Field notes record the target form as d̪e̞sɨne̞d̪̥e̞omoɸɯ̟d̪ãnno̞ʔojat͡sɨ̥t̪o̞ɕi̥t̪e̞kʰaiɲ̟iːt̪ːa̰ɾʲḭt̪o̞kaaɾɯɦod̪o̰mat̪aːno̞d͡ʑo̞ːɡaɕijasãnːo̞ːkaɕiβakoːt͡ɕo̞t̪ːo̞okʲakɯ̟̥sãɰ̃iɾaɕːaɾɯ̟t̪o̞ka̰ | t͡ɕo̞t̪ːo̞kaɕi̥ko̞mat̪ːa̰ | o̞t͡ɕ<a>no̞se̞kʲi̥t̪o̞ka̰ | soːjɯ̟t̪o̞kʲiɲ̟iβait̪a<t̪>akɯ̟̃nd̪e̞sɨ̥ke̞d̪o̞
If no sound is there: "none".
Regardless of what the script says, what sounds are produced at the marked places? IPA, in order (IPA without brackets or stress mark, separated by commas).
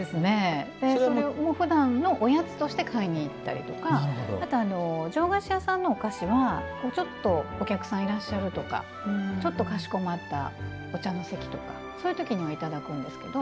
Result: a, d̪